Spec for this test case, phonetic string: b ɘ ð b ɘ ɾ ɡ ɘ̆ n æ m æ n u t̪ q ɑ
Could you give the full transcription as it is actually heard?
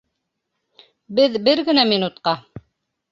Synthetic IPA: b ɘ ð b ɘ ɾ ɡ ɘ̆ n æ m i n u t̪ q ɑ